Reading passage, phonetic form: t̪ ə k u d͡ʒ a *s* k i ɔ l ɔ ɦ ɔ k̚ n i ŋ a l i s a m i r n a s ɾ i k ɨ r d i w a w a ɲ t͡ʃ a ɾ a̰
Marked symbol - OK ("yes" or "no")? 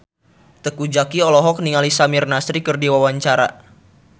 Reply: no